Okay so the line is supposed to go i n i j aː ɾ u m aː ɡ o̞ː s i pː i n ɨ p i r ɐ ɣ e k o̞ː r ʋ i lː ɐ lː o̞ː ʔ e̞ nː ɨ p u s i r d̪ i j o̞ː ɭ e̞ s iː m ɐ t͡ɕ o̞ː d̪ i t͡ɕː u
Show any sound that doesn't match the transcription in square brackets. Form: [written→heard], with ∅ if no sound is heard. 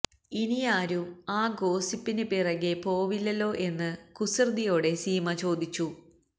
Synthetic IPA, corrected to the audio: i n i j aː ɾ u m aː ɡ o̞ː s i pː i n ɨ p i r ɐ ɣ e [k→p] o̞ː [r→∅] ʋ i lː ɐ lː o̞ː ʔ e̞ nː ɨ [p→k] u s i r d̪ i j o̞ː [ɭ→ɽ] e̞ s iː m ɐ t͡ɕ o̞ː d̪ i t͡ɕː u

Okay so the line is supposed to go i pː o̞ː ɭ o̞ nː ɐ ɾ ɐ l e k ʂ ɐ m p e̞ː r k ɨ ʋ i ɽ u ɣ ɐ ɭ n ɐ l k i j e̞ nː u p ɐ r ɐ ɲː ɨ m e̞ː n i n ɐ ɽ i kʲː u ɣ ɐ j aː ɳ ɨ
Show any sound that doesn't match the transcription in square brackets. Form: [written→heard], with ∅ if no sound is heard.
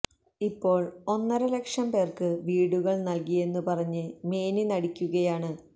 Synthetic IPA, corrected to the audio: i pː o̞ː ɭ o̞ nː ɐ ɾ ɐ l e k ʂ ɐ m p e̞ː r k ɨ ʋ [i→iː] ɽ u ɣ ɐ ɭ n ɐ l k i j e̞ nː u p ɐ r ɐ ɲː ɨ m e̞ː n i n ɐ ɽ i kʲː u ɣ ɐ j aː ɳ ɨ

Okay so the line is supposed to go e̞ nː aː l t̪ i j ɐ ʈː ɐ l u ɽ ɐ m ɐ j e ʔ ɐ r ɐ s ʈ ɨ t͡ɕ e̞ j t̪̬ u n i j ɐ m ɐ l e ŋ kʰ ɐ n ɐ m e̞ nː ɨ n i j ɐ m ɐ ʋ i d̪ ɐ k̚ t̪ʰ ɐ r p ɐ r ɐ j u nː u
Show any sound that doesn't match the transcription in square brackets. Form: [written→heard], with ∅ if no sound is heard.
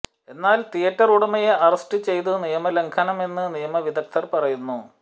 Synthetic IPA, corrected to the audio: e̞ nː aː l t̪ i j ɐ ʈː ɐ [l→r] u ɽ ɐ m ɐ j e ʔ ɐ r ɐ s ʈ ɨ t͡ɕ e̞ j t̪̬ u n i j ɐ m ɐ l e ŋ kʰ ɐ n ɐ m e̞ nː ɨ n i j ɐ m ɐ ʋ i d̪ ɐ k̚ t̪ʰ ɐ r p ɐ r ɐ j u nː u

